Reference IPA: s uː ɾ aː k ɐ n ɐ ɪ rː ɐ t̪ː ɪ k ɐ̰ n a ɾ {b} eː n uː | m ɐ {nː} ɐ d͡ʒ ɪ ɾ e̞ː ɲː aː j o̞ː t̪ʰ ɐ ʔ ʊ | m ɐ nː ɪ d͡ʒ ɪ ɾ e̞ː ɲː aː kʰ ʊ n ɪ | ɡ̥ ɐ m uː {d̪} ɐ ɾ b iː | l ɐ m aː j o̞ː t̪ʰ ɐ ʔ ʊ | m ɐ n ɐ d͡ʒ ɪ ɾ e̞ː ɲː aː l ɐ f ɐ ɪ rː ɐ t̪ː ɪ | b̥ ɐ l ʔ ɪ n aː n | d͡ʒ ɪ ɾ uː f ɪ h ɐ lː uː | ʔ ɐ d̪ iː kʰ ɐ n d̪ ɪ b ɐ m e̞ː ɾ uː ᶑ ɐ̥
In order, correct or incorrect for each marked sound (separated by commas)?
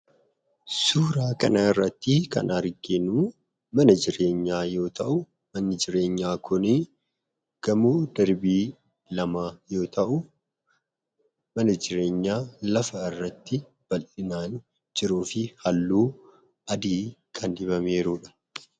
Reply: incorrect, incorrect, correct